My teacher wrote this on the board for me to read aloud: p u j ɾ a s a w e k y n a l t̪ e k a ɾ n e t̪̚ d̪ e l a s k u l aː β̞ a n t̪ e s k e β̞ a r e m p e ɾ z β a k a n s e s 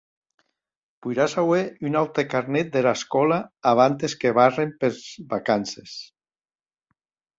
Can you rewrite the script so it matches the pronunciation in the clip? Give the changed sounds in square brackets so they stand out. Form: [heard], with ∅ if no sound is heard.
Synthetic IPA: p u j ɾ a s a w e [∅] y n a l t̪ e k a ɾ n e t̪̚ d̪ e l a s k [ɔ] l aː β̞ a n t̪ e s k e β̞ a r e m p e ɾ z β a k a n s e s